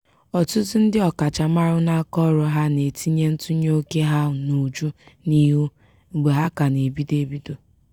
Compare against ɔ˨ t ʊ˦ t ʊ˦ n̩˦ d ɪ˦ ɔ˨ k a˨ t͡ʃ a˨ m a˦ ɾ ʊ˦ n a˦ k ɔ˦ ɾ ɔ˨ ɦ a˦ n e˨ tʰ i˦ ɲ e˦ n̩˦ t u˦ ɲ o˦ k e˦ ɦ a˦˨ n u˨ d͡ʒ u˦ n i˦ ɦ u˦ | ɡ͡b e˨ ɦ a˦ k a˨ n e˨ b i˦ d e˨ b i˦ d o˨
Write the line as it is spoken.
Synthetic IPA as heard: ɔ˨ t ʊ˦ t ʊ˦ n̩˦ d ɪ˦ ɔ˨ k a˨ t͡ʃ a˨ m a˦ ɾ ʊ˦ n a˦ k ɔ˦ ɾ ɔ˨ ɦ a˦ n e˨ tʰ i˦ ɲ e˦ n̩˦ t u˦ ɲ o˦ k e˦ ɦ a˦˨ n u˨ d͡ʒ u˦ n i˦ ɦ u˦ | ɡ͡b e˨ ɦ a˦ k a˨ n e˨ b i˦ d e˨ b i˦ d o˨